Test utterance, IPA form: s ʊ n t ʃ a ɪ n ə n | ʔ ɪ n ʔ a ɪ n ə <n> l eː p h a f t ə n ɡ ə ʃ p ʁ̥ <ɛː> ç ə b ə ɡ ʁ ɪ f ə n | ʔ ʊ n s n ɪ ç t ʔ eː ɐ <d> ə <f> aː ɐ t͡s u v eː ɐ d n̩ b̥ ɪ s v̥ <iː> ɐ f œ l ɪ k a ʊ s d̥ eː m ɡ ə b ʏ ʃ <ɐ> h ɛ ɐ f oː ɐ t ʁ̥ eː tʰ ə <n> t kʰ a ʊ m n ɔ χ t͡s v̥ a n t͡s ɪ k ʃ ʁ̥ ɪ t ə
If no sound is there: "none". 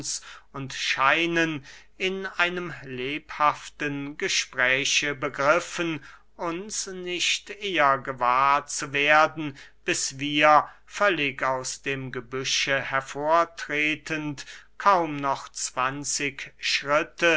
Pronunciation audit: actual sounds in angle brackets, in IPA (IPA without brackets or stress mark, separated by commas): m, ɛː, ɡ, v, iː, ə, n